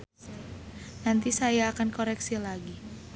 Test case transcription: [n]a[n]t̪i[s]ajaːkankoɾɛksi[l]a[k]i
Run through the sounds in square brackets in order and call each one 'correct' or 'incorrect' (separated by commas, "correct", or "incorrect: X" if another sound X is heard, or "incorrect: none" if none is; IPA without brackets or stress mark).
correct, correct, correct, correct, incorrect: ɡ